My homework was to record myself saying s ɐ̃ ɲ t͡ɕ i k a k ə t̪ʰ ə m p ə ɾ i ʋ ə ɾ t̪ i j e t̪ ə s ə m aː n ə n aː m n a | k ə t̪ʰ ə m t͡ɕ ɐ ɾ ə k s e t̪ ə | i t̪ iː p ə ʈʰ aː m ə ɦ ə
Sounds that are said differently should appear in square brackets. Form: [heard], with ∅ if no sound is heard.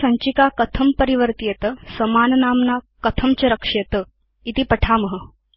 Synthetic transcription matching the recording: s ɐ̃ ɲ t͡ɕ i k a k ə t̪ʰ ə m p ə ɾ i ʋ ə ɾ t̪ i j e t̪ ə s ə m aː n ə n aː m n a | k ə t̪ʰ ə m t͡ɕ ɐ ɾ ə k [ʂ] e t̪ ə | i t̪ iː p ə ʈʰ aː m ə ɦ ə